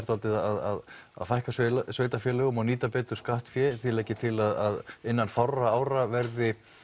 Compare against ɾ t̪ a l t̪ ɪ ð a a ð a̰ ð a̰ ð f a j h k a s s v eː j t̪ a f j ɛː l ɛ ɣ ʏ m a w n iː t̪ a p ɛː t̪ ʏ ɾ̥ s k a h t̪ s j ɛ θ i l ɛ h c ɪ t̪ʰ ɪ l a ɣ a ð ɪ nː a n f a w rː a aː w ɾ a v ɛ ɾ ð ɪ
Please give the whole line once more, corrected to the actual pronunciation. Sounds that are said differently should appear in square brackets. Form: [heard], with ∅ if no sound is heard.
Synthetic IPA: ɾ t̪ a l t̪ ɪ ð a a ð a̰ ð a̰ ð f a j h k a s s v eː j t̪ a f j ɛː l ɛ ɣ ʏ m a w n iː t̪ a p ɛː t̪ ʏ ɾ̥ s k a h t̪ [f] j ɛ θ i l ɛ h c ɪ t̪ʰ ɪ l a [ð] a ð ɪ nː a n f a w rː a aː w ɾ a v ɛ ɾ ð ɪ